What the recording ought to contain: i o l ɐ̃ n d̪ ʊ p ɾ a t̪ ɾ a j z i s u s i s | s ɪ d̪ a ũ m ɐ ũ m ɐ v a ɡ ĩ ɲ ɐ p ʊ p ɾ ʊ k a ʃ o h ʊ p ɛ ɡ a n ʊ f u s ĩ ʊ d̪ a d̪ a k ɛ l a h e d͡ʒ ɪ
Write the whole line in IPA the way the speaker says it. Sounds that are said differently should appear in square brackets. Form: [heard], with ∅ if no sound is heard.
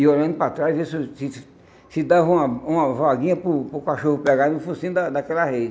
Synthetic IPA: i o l ɐ̃ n d̪ ʊ p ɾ a t̪ ɾ a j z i s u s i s | s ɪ d̪ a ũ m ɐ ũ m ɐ v a ɡ ĩ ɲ ɐ p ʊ p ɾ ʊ k a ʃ o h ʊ p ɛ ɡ a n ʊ f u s ĩ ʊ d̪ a d̪ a k ɛ l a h e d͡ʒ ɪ

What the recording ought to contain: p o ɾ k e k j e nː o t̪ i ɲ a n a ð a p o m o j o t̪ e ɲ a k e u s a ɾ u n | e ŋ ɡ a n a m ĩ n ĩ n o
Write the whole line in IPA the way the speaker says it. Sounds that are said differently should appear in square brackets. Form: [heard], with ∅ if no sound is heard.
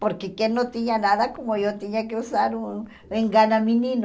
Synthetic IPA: p o ɾ k e k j e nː o t̪ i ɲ a n a ð a [k] o m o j o t̪ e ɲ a k e u s a ɾ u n | e ŋ ɡ a n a m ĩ n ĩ n o

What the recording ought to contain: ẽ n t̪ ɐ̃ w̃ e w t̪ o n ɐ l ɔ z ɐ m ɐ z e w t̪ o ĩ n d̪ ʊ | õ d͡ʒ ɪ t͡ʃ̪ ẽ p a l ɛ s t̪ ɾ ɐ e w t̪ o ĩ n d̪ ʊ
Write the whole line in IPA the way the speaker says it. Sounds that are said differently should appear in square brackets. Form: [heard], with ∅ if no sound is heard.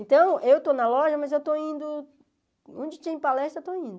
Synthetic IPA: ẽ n t̪ ɐ̃ w̃ e w t̪ o n ɐ l ɔ [ʒ] ɐ m ɐ z e w t̪ o ĩ n d̪ ʊ | õ d͡ʒ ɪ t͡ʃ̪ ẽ p a l ɛ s t̪ ɾ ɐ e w t̪ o ĩ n d̪ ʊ

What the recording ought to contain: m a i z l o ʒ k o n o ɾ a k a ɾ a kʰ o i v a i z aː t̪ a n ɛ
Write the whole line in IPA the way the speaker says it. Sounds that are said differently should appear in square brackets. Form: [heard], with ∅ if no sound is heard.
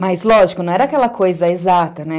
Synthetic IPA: m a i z l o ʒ k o n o ɾ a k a [l] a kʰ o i [z] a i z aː t̪ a n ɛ

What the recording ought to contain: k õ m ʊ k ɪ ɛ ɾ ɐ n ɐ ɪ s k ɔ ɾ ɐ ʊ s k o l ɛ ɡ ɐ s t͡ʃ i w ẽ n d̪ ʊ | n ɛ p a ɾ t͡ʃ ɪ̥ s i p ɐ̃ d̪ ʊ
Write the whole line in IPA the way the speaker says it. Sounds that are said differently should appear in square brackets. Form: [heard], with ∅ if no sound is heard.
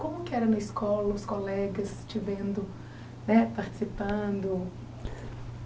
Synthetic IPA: k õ m ʊ k ɪ ɛ ɾ ɐ n ɐ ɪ s k ɔ [l] ɐ ʊ s k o l ɛ ɡ ɐ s t͡ʃ i [v] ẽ n d̪ ʊ | n ɛ p a ɾ t͡ʃ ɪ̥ s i p ɐ̃ d̪ ʊ

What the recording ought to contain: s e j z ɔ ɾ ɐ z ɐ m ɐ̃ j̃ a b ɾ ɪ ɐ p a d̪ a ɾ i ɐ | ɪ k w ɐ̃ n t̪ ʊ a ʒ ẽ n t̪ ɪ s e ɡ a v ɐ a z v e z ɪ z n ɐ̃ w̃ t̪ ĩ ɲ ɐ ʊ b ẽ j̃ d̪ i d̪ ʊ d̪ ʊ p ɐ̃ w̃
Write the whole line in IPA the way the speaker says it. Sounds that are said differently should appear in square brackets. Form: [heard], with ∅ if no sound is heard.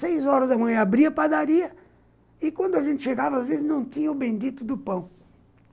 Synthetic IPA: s e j z ɔ ɾ ɐ z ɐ m ɐ̃ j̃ a b ɾ [i] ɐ p a d̪ a ɾ i ɐ | ɪ k w ɐ̃ n [d̪] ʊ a ʒ ẽ n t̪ ɪ [ʃ] e ɡ a v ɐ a z v e z ɪ z n ɐ̃ w̃ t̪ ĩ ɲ ɐ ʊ b ẽ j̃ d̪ i [t̪] ʊ d̪ ʊ p ɐ̃ w̃

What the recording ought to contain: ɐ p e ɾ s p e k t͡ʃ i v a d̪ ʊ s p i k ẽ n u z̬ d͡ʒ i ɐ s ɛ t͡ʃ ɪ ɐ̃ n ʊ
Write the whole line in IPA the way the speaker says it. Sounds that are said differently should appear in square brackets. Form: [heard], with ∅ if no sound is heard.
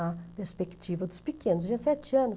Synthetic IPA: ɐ p e ɾ s p e k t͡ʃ i v [ɐ] d̪ ʊ s p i k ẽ n [ʊ] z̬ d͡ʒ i ɐ s ɛ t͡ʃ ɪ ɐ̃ n ʊ

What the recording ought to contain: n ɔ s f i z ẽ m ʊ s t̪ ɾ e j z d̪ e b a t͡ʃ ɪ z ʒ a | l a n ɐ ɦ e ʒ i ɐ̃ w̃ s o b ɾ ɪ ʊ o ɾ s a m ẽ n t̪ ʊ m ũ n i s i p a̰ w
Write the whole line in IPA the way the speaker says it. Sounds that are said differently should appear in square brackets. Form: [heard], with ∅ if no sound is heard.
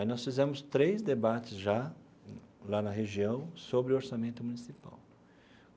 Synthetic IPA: n ɔ s f i z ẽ m ʊ s t̪ ɾ e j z d̪ e b a t͡ʃ ɪ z ʒ a | l a n ɐ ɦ e ʒ i ɐ̃ w̃ s o b ɾ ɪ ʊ o ɾ s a m ẽ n t̪ ʊ m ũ n i s i p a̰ w

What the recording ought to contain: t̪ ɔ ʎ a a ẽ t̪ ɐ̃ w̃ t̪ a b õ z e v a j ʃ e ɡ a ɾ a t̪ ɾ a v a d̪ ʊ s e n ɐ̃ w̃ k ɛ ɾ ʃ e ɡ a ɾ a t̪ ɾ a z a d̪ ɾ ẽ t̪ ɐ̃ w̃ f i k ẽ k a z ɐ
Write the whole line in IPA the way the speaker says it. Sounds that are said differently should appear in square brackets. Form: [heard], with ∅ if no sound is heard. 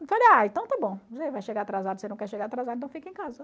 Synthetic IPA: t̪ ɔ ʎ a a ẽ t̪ ɐ̃ w̃ t̪ a b õ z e v a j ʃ e ɡ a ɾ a t̪ ɾ a [z] a d̪ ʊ s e n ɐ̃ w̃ k ɛ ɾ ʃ e ɡ a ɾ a t̪ ɾ a z a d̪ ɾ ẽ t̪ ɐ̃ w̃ f i k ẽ k a z ɐ

